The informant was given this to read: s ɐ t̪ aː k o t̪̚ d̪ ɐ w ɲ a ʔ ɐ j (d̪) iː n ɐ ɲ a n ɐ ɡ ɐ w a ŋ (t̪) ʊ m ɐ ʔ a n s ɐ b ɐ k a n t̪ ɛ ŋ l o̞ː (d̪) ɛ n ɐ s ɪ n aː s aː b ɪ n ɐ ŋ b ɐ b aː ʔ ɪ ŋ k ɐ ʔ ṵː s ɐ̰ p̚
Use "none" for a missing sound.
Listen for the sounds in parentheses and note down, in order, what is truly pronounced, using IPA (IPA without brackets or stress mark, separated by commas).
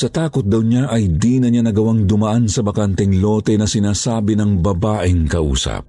d̪, d̪, t̪